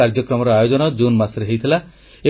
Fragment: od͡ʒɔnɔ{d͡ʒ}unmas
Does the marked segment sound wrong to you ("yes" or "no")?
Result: no